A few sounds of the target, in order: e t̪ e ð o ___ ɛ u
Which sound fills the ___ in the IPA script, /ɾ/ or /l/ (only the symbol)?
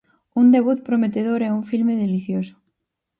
ɾ